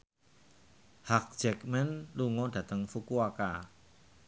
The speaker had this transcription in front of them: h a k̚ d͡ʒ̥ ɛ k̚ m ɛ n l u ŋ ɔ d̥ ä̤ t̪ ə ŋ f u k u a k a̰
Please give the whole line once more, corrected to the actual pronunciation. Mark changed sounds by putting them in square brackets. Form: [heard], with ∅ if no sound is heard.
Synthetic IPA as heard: h a k̚ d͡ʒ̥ ɛ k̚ m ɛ n l u ŋ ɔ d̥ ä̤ t̪ ə ŋ f u k u a k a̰